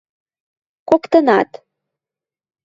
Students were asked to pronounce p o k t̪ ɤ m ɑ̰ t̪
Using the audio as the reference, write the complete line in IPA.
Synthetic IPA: k o k t̪ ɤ n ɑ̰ t̪